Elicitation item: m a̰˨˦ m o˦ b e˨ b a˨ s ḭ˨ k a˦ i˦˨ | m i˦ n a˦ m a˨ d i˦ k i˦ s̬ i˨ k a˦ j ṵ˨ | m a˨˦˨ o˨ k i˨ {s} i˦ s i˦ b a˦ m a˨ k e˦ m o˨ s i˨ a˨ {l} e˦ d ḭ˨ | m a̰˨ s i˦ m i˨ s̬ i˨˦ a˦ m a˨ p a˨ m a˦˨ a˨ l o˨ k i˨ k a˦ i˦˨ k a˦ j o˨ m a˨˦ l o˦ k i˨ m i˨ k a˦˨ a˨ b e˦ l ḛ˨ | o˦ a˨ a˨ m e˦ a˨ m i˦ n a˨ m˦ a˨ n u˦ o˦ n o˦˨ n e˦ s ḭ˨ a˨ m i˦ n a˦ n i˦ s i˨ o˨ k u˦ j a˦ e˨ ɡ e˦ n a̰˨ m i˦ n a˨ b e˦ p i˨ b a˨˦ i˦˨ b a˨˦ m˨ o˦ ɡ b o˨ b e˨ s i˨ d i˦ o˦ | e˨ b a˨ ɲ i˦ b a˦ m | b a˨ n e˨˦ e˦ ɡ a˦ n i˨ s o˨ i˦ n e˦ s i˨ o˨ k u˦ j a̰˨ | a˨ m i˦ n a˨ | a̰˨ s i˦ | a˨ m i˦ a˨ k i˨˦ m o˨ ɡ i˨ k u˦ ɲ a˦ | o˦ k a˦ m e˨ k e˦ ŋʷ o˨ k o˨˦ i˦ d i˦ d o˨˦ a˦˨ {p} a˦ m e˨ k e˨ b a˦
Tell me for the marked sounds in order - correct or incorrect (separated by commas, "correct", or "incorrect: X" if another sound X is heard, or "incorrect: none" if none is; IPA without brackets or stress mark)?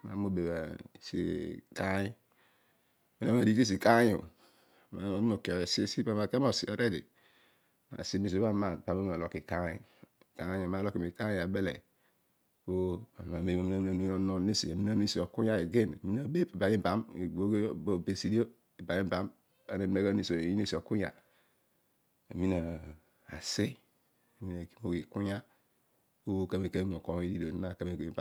correct, incorrect: ɾ, incorrect: k